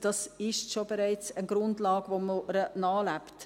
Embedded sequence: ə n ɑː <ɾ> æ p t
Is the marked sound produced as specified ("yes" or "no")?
no